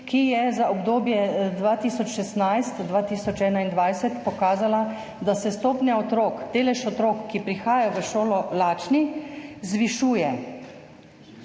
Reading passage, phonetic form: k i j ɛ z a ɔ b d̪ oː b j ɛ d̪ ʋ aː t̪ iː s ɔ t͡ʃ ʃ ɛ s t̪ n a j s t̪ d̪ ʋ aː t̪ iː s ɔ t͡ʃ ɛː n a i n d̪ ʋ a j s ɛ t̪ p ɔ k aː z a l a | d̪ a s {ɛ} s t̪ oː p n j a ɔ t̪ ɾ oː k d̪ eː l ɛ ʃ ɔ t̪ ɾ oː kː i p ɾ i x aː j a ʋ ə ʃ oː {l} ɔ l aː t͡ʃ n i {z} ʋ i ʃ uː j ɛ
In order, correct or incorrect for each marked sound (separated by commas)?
correct, correct, correct